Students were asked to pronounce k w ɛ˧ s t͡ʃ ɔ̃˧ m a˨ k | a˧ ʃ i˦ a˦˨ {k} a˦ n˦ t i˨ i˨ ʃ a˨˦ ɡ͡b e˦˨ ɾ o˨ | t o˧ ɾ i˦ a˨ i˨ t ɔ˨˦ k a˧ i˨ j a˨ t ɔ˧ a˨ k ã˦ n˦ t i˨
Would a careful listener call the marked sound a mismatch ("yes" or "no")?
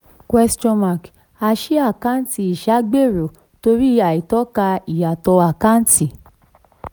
no